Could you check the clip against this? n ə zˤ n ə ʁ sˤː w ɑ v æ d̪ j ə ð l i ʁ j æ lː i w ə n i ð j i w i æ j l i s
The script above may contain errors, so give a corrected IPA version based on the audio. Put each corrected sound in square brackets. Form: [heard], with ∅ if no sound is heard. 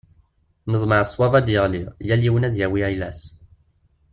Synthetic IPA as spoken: n ə zˤ [m] ə [ʕ] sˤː w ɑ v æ d̪ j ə [ʁ] l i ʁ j æ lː i w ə n [æ] ð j [æ] w i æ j l [æ] s